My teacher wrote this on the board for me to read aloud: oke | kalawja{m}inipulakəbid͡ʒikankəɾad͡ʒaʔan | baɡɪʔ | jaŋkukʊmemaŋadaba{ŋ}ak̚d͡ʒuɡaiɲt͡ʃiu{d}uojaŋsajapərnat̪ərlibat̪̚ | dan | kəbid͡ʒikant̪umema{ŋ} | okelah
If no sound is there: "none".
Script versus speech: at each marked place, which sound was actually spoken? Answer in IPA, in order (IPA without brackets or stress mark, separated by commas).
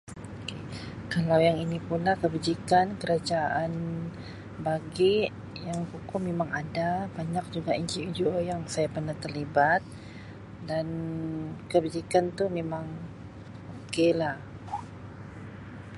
ŋ, ɲ, d͡ʒ, ŋ